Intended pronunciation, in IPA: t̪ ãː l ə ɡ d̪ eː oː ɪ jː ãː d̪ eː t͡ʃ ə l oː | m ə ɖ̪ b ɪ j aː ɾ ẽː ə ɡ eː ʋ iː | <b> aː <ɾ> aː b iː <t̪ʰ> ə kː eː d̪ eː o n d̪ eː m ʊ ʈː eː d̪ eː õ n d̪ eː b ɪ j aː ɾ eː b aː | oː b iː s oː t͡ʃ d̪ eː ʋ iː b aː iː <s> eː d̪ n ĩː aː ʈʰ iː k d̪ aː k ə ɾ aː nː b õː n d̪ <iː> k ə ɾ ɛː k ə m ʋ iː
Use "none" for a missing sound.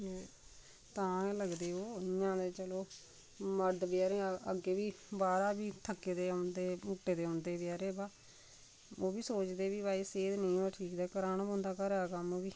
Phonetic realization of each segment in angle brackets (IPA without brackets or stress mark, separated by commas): b, ɾ, t̪ʰ, s, aː